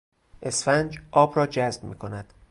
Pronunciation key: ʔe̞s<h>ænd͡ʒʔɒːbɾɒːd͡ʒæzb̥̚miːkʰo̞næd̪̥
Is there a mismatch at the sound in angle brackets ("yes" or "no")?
yes